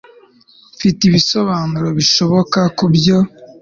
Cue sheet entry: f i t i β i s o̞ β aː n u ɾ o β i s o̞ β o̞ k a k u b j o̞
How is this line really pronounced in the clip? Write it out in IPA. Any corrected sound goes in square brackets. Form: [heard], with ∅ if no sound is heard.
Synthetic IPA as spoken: f i t i β i s o̞ β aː n u ɾ o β i [ʃ] o̞ β o̞ k a k u b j o̞